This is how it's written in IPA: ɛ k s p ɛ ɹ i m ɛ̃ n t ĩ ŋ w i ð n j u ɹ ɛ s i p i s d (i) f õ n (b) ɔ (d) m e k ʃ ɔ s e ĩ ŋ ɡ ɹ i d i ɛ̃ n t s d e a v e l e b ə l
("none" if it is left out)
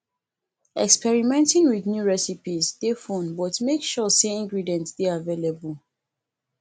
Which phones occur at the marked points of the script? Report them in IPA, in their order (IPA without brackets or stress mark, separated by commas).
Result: e, b, t